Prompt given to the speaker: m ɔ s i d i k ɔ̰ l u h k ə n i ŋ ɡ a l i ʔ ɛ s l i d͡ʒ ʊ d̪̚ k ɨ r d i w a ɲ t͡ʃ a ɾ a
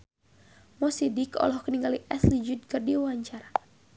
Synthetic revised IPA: m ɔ s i d i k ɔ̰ l ɔ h k ə n i ŋ ɡ a l i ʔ ɛ s l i d͡ʒ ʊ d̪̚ k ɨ r d i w a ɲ t͡ʃ a ɾ a